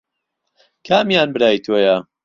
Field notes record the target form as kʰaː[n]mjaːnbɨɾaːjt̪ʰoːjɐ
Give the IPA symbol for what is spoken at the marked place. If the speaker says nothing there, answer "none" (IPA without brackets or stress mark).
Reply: none